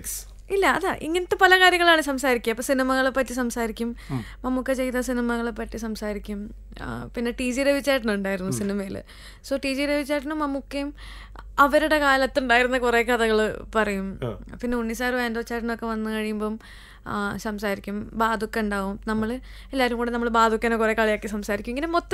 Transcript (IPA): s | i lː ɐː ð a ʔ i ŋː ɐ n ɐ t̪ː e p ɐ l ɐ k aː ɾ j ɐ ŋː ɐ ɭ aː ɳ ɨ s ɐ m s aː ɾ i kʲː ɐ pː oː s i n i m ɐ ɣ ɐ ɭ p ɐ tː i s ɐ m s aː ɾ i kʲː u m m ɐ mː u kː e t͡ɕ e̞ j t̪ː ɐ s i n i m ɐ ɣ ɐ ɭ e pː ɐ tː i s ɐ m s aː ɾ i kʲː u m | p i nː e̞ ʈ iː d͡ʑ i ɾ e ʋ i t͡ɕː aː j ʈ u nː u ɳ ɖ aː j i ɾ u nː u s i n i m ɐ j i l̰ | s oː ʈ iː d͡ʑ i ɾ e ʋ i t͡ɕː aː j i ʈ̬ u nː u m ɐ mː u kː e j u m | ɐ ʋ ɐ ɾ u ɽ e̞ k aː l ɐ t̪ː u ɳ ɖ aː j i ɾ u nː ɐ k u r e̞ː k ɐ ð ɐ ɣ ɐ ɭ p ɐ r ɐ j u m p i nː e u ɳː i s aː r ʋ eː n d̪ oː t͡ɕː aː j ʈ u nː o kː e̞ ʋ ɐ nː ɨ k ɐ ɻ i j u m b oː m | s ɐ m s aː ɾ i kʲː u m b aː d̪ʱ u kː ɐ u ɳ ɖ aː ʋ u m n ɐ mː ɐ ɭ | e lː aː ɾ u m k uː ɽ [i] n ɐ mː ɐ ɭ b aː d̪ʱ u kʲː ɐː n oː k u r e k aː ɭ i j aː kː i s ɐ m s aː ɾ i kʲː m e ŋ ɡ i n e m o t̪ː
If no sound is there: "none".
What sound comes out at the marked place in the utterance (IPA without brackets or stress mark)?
e